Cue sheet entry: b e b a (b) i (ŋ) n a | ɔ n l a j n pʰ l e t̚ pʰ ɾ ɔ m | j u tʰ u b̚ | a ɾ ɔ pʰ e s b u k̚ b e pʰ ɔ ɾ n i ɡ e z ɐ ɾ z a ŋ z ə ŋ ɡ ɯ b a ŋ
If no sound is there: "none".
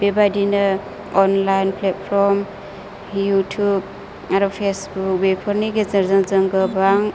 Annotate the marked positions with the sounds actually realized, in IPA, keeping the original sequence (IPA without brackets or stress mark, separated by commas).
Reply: d, none